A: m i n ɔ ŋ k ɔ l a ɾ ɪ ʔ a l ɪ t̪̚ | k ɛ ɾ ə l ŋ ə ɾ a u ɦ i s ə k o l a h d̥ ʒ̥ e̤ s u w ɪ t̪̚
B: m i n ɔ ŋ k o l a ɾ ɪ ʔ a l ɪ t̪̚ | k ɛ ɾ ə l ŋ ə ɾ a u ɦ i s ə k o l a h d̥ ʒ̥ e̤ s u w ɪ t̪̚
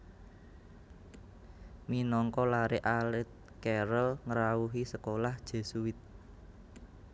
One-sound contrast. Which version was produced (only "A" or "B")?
A